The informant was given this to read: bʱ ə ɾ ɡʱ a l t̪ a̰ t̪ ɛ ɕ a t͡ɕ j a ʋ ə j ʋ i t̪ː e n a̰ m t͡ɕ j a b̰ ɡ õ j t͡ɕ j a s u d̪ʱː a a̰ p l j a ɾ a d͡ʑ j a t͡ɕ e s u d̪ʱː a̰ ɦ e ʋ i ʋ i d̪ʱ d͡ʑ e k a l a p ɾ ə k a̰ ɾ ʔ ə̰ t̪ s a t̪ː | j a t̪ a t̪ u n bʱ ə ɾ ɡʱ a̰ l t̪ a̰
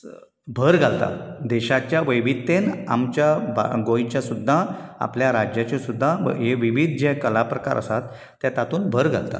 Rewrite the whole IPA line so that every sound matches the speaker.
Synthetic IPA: bʱ ə ɾ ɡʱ a l t̪ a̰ d̪ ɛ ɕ a t͡ɕ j a ʋ ə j ʋ i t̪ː e n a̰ m t͡ɕ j a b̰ ɡ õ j t͡ɕ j a s u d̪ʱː a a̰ p l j a ɾ a d͡ʑ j a t͡ɕ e s u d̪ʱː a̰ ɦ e ʋ i ʋ i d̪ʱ d͡ʑ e k ə l a p ɾ ə k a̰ ɾ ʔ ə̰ s a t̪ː | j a t̪ a t̪ uː n bʱ ə ɾ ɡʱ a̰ l t̪ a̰